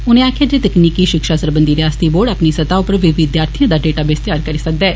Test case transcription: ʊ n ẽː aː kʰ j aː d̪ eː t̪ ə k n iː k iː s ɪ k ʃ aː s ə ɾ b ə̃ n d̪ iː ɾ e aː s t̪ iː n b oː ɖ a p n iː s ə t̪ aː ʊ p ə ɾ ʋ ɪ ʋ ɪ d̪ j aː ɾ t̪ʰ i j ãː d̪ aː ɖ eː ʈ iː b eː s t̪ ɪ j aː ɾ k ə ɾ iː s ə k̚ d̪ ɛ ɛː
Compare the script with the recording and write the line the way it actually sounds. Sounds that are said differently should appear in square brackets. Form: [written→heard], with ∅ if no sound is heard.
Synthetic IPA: ʊ n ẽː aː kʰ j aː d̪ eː t̪ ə k n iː k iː [s→ʃ] ɪ k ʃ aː s ə ɾ b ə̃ n d̪ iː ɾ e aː s t̪ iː [n→∅] b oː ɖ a p n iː s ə t̪ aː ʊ p ə ɾ ʋ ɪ ʋ ɪ d̪ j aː ɾ t̪ʰ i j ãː d̪ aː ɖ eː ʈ [iː→aː] b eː s t̪ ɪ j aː ɾ k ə ɾ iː s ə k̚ d̪ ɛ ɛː